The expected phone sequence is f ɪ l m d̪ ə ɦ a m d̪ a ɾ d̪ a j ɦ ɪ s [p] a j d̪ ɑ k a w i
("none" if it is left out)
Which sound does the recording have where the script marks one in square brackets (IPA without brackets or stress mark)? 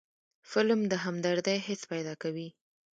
p